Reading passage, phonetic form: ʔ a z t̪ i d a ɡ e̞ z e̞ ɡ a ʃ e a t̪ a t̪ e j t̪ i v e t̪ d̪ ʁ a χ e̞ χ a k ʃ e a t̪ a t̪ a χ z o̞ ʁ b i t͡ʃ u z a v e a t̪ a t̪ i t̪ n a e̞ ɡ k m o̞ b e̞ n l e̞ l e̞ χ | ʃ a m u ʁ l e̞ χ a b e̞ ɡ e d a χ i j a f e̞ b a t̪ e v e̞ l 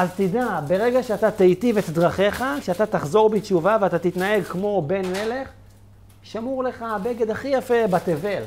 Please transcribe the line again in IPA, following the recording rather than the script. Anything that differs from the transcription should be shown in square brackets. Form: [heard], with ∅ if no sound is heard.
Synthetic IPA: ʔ a z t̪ i d a [b] e̞ [ʁ] e̞ ɡ a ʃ e a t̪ a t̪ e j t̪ i v e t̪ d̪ ʁ a χ e̞ χ a k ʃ e a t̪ a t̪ a χ z o̞ ʁ b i t͡ʃ u [v] a v e a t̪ a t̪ i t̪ n a e̞ ɡ k m o̞ b e̞ n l e̞ l e̞ χ | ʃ a m u ʁ l e̞ χ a b e̞ ɡ e d a χ i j a f e̞ b a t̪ e v e̞ l